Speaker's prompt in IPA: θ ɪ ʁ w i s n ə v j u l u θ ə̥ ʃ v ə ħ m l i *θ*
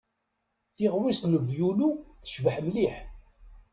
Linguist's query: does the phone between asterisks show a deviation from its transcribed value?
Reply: yes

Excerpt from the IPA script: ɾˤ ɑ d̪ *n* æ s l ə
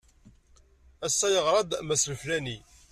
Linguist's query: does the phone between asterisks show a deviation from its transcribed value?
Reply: yes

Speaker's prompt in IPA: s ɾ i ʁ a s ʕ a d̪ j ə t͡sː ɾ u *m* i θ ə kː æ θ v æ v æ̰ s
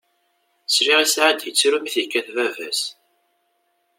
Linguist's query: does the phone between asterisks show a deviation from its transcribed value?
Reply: no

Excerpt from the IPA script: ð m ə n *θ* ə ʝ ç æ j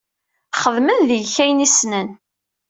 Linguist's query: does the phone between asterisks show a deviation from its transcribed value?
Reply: yes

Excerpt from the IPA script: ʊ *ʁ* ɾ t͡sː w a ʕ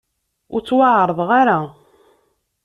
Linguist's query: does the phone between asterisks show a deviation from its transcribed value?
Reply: yes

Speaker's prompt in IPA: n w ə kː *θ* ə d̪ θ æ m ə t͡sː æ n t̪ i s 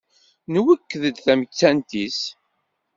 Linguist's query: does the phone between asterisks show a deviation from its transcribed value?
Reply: yes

